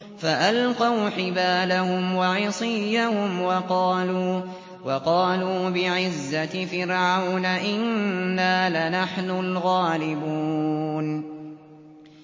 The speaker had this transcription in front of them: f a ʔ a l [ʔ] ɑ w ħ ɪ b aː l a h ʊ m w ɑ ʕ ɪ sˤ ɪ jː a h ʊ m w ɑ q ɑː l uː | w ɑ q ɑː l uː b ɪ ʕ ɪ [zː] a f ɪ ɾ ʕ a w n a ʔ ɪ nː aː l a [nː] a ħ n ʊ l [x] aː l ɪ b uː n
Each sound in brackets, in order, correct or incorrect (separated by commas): incorrect, correct, incorrect, incorrect